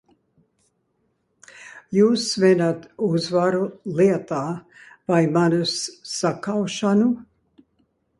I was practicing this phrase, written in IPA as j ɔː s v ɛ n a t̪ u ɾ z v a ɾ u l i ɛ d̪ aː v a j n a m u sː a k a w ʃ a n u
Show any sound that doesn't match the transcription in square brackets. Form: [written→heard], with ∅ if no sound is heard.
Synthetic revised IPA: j [ɔː→uː] s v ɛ n a t̪ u [ɾ→∅] z v a ɾ u l i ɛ [d̪→t̪] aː v a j [n→m] a [m→n] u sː a k a w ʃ a n u